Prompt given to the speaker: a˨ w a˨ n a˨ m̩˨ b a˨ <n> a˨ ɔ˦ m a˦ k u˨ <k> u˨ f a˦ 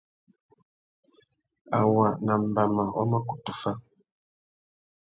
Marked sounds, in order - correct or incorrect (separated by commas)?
incorrect, incorrect